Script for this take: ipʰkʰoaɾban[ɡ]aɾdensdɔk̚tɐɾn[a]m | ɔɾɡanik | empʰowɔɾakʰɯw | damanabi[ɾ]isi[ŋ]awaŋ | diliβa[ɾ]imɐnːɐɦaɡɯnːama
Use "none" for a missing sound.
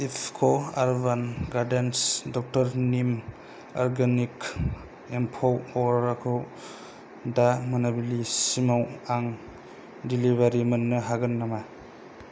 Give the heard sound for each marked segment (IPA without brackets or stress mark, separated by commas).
ɡ, i, l, m, ɾ